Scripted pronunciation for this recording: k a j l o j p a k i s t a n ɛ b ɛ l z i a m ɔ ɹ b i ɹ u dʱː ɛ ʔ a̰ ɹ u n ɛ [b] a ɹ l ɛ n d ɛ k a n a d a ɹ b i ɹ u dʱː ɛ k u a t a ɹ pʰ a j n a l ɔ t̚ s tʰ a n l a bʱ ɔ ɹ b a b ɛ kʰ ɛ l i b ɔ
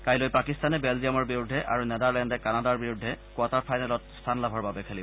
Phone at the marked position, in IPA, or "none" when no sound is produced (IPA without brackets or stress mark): d